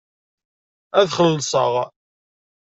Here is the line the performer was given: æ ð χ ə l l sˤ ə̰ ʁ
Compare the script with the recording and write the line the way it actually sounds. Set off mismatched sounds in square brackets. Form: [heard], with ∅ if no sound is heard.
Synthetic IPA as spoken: æ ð χ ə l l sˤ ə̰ ʁ